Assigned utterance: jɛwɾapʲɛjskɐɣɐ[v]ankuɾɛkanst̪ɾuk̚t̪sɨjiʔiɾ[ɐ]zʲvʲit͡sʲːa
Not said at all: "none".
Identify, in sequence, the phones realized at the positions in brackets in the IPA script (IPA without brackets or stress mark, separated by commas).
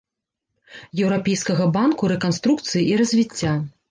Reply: b, ɐ